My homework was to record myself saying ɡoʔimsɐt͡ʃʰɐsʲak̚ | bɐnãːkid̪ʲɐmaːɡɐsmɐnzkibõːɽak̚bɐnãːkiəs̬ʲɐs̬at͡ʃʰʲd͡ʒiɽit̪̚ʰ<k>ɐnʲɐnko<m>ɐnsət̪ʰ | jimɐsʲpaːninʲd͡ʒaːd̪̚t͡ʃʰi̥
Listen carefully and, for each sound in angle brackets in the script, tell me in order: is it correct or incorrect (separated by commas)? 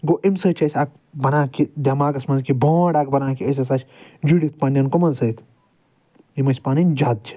incorrect, correct